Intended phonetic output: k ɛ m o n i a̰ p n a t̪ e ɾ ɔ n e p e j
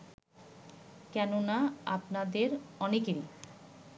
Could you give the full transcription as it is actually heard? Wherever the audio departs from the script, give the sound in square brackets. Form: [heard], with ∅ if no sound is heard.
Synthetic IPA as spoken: k ɛ [n] o n [a] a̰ p n a [d̪] e ɾ ɔ n e [k] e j